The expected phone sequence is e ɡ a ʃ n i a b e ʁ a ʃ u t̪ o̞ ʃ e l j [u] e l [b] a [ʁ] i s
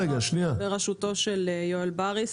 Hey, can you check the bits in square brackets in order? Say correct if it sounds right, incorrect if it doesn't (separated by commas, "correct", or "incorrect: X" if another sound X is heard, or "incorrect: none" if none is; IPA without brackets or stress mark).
incorrect: o, correct, correct